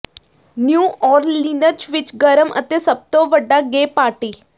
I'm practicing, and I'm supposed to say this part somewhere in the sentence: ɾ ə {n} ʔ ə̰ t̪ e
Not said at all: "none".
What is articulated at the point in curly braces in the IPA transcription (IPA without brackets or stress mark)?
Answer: m